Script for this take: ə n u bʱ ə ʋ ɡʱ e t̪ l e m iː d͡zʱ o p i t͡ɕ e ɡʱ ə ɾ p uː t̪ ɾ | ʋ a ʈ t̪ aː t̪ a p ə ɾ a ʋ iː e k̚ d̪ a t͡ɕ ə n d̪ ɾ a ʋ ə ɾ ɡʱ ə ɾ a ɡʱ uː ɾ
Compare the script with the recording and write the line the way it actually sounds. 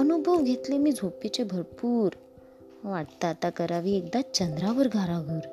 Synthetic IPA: ə n u bʱ ə ʋ ɡʱ e t̪ l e m iː d͡zʱ o p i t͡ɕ e bʱ ə ɾ p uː ɾ | ʋ a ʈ t̪ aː t̪ a k ə ɾ a ʋ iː e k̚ d̪ a t͡ɕ ə n d̪ ɾ a ʋ ə ɾ ɡʱ a ɾ a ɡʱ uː ɾ